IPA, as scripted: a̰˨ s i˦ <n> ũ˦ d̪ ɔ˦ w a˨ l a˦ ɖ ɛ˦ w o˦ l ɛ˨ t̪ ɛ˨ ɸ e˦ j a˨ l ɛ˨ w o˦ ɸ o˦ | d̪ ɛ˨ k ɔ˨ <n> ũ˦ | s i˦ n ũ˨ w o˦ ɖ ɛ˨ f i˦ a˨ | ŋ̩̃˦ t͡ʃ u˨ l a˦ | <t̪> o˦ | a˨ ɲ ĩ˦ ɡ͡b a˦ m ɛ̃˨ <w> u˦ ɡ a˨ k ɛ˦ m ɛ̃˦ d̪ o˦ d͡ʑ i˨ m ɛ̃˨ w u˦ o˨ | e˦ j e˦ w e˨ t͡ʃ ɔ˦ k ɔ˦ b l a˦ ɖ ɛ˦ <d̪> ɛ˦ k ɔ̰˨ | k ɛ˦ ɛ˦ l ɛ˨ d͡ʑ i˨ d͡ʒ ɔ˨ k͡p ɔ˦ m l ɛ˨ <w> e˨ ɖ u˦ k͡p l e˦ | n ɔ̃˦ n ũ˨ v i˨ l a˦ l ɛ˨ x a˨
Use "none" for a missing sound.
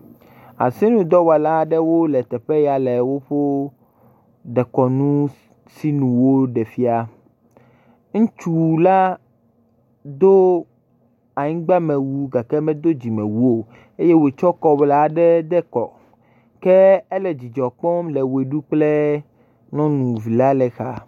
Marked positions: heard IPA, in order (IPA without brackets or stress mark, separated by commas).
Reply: n, n, d̪, w, d̪, w